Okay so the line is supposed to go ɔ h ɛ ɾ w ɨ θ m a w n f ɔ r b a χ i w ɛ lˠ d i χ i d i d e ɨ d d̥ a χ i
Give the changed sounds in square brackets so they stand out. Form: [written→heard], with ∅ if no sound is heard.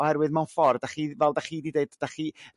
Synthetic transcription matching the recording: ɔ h ɛ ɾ w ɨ [θ→ð] m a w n f ɔ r [b→d] a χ i [w→v] ɛ lˠ d [i→a] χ i d i d e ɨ d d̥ a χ i